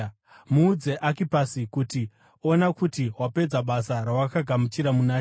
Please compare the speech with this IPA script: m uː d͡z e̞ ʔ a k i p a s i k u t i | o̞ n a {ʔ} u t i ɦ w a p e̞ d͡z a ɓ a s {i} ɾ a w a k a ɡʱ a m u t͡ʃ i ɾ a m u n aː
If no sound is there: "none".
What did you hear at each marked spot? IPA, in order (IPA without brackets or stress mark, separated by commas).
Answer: k, a